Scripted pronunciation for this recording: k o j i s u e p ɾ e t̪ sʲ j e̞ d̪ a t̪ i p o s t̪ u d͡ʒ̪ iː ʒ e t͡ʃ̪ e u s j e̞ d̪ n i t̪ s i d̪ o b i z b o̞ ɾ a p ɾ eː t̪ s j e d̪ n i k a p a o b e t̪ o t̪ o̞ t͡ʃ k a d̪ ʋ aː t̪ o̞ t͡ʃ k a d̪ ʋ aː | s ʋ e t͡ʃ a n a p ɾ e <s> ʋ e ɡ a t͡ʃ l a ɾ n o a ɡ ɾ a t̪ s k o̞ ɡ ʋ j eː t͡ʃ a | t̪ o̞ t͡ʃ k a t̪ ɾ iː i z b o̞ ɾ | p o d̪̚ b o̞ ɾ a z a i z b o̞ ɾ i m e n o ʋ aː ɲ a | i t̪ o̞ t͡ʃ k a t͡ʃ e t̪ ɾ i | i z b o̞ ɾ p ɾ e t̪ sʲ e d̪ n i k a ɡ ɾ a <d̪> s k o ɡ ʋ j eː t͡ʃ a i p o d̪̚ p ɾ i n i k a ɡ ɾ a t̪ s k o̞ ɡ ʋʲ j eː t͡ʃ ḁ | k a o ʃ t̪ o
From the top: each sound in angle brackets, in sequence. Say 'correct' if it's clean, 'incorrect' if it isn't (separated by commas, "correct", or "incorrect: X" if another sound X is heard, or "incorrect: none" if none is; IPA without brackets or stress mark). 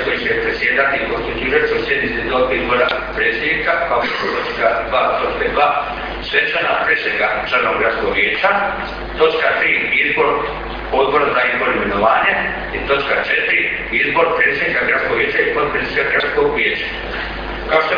correct, incorrect: t̪